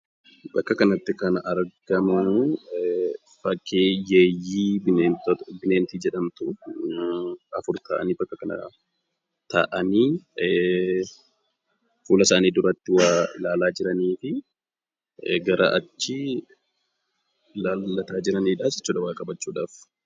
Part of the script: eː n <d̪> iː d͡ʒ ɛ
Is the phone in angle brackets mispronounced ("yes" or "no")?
yes